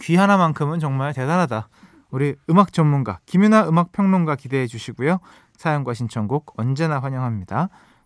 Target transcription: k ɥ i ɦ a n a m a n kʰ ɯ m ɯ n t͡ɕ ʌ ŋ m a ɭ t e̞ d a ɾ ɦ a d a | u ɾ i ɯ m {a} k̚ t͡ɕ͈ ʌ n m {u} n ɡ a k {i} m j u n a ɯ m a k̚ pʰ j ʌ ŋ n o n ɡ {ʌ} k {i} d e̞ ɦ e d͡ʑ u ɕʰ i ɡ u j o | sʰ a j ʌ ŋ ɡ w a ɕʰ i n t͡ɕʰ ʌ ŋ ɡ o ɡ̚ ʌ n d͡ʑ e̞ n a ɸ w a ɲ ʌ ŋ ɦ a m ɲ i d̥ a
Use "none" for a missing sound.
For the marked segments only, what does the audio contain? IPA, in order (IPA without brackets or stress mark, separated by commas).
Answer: a, u, i, a, i